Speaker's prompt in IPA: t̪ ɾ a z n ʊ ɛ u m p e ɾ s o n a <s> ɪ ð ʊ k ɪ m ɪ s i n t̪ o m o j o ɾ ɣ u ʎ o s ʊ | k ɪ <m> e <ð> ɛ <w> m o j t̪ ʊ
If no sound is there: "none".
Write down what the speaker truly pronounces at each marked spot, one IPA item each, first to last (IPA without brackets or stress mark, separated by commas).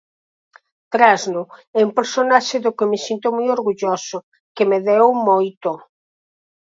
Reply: ʃ, m, ð, w